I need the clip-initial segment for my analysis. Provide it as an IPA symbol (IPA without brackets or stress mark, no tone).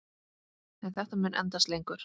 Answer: ɛ